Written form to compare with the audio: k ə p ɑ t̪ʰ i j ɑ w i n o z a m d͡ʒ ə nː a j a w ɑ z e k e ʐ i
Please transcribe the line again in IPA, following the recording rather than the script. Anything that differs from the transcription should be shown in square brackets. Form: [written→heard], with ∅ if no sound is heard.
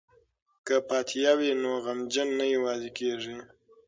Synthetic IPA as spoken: k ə p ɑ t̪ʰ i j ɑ w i n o [z→ɣ] a m d͡ʒ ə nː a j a w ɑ z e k e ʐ i